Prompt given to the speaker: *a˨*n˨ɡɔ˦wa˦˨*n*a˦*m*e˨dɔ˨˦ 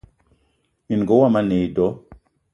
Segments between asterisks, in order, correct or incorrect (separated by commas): incorrect, incorrect, incorrect